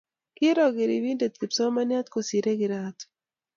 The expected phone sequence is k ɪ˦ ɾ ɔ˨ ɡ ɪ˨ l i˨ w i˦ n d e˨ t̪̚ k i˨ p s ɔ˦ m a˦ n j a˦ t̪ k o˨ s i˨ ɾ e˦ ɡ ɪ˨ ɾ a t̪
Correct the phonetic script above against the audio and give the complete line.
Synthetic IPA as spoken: k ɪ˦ ɾ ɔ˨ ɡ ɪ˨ ɾ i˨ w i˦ n d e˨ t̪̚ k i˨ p s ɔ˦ m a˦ n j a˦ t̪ k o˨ s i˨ ɾ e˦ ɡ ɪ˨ ɾ a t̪